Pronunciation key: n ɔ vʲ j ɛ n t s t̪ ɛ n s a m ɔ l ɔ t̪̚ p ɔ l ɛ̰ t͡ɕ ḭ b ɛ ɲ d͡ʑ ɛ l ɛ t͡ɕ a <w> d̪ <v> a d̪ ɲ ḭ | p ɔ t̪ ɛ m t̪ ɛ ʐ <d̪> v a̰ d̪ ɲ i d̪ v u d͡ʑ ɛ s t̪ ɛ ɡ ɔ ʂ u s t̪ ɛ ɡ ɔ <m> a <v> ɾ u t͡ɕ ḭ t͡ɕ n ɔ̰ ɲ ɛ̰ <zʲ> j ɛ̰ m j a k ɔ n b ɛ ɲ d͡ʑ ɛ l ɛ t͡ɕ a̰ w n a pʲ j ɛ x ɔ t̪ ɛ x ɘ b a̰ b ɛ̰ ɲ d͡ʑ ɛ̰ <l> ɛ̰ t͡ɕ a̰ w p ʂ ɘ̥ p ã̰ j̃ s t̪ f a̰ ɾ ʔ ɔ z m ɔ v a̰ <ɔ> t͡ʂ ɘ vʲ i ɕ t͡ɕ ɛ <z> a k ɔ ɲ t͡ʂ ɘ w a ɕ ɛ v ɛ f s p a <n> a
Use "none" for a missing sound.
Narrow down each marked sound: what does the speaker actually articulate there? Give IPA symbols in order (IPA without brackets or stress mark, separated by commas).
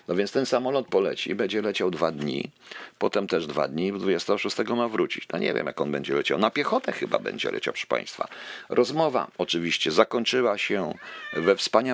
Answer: w, v, d̪, m, v, vʲ, l, ɔ, z, ɲ